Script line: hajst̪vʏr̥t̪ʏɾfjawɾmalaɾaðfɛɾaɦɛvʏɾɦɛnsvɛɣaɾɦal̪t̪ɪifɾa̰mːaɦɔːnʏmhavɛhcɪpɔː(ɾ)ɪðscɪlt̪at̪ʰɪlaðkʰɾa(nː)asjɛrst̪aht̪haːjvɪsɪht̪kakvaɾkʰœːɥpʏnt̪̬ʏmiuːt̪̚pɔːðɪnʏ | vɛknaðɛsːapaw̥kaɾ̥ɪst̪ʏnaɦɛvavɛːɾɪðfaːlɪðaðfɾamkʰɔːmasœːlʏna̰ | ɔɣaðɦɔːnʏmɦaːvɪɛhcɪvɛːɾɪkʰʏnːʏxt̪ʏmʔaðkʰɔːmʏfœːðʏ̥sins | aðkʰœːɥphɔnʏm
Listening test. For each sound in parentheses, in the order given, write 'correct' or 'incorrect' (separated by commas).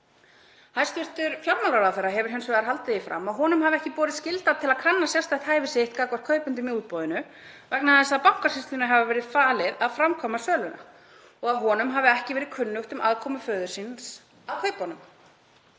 correct, correct